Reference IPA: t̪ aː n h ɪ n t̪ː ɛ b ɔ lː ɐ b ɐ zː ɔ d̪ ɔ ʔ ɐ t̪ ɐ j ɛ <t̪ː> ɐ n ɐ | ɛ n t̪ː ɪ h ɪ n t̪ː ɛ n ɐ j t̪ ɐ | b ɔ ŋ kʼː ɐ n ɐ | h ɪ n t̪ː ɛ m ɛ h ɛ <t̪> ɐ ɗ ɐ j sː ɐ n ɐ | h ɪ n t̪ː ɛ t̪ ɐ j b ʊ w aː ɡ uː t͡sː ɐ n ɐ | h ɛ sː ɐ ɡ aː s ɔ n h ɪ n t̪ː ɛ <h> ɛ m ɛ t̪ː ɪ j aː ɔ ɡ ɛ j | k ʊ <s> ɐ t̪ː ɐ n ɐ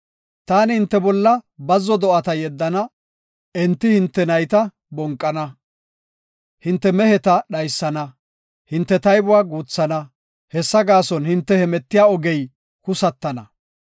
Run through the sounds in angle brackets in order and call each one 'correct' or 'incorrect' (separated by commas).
incorrect, correct, correct, correct